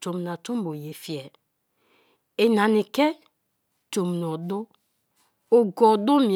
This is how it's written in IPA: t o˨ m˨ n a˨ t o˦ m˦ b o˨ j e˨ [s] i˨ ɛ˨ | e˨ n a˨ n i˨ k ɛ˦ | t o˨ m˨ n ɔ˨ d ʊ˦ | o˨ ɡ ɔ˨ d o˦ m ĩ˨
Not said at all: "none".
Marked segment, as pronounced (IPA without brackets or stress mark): f